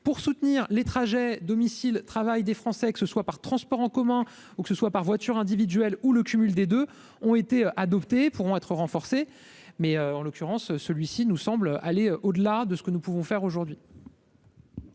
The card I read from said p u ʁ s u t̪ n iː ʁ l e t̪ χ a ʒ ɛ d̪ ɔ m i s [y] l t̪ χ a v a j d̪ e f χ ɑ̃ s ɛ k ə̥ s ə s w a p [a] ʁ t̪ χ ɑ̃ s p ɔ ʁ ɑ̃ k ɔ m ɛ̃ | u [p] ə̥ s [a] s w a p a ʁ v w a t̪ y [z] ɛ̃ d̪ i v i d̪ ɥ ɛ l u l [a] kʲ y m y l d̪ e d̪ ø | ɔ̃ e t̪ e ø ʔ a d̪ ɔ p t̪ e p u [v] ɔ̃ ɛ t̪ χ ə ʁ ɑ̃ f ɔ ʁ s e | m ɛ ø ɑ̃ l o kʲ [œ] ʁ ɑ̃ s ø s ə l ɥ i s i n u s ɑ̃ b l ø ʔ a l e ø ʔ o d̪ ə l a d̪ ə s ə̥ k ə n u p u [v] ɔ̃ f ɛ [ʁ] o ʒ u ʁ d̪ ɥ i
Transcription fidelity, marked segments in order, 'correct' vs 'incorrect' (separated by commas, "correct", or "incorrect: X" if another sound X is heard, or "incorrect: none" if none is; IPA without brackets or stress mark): incorrect: i, correct, incorrect: k, incorrect: ə, incorrect: ʁ, incorrect: ə, incorrect: ʁ, incorrect: y, correct, correct